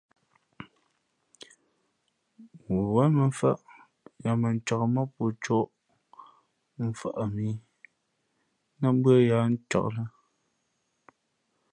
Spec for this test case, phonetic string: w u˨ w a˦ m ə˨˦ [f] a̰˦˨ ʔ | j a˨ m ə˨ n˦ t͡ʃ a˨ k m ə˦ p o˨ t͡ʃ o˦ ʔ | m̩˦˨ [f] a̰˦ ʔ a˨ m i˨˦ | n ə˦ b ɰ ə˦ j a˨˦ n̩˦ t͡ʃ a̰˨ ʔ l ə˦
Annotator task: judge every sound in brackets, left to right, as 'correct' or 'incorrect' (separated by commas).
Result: correct, correct